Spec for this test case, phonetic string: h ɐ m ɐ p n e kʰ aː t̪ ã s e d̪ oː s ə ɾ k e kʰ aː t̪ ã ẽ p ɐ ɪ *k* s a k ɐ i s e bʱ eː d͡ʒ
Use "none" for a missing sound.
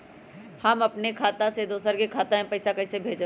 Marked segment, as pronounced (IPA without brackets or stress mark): none